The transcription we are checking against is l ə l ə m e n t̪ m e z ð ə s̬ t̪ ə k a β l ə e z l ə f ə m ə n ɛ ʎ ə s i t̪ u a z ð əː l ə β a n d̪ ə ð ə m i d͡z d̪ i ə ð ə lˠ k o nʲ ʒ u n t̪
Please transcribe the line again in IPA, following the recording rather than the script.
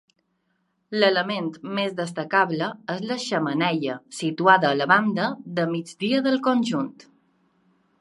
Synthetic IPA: l ə l ə m e n t̪ m e z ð ə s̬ t̪ ə k a β l ə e z l ə ʃ ə m ə n ɛ ʎ ə s i t̪ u a ð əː l ə β a n d̪ ə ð ə m i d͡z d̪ i ə ð ə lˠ k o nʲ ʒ u n t̪